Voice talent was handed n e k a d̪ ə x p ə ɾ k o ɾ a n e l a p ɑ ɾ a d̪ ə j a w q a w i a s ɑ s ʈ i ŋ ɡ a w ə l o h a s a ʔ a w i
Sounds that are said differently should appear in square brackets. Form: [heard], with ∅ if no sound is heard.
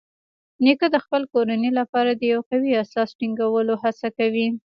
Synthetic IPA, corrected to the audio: n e k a d̪ ə x p ə [l] k o ɾ a n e l a p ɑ ɾ a d̪ ə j a w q a w i a s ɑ s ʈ i ŋ ɡ a w ə l o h a s a [k] a w i